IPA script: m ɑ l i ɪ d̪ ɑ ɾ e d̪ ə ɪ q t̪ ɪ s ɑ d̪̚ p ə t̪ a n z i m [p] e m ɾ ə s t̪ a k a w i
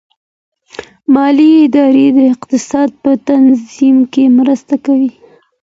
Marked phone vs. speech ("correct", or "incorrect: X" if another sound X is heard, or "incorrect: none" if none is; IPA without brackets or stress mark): incorrect: k